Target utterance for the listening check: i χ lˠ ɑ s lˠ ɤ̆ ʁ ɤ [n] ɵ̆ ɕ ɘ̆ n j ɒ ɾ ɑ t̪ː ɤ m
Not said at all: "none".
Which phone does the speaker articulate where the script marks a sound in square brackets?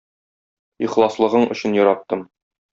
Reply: ɴ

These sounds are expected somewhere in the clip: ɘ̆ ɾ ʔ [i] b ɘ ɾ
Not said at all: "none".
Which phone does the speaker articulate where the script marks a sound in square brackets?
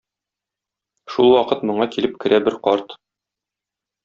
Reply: æ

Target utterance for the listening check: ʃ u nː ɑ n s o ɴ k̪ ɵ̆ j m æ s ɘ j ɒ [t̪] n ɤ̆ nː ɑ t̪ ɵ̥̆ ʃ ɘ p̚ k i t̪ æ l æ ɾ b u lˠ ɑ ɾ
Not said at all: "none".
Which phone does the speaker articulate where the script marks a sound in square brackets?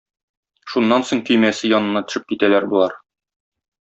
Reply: none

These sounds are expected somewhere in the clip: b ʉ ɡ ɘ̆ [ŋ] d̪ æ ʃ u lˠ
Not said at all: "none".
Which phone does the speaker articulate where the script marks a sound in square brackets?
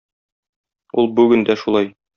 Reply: n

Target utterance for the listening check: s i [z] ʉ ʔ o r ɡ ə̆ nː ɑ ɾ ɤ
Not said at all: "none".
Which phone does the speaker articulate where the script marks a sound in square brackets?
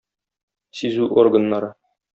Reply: z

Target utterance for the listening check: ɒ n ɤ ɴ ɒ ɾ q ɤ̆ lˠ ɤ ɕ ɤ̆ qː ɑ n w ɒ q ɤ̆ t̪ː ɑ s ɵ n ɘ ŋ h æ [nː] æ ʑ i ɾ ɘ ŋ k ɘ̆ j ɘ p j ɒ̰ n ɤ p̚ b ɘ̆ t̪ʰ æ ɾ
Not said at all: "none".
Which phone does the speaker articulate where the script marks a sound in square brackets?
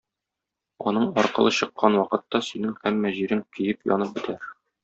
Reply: mː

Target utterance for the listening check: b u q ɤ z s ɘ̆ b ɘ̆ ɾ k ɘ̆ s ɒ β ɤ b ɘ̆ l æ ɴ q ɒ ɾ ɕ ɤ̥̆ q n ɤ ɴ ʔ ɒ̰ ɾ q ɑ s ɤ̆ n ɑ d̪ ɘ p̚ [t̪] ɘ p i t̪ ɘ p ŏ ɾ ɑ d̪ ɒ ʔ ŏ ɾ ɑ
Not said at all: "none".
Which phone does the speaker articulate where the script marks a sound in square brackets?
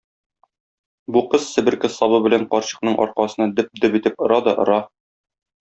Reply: d̪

